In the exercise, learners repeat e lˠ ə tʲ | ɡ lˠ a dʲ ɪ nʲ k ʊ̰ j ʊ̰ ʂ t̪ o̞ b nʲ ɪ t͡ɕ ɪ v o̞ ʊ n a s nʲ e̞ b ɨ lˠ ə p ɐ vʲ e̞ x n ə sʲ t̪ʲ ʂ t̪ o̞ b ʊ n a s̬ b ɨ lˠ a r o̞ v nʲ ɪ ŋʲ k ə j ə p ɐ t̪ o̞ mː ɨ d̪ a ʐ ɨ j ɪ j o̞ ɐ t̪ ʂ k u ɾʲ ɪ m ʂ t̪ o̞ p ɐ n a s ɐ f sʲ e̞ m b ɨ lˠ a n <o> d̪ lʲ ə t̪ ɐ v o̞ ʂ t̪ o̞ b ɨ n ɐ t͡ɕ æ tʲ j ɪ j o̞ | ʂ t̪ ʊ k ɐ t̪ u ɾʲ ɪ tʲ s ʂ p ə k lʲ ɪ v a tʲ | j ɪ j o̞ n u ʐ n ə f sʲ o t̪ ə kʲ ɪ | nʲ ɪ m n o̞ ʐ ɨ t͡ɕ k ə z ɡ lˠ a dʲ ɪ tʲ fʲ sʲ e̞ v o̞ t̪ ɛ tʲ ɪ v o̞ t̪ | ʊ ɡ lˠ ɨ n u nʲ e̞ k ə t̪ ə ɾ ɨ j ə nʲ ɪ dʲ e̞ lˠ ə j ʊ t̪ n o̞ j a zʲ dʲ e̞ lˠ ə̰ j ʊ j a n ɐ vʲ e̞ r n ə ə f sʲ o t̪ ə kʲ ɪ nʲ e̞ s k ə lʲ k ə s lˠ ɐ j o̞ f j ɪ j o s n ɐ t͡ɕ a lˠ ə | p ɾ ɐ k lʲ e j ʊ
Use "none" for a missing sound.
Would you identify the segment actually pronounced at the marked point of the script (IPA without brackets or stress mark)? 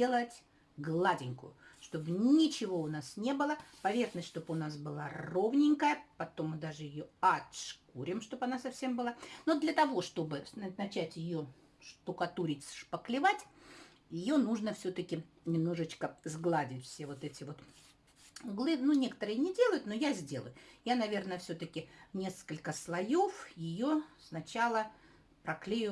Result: o